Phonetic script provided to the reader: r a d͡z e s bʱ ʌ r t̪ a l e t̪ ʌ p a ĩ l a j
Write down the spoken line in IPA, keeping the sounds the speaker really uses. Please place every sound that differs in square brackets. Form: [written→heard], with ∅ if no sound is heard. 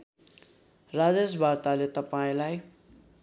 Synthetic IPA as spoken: r a d͡z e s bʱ [ʌ→a] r t̪ a l e t̪ ʌ p a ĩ l a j